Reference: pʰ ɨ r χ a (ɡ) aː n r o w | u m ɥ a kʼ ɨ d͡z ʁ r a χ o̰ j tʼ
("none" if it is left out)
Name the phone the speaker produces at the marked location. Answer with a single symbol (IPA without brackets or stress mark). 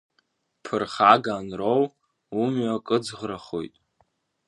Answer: ɡ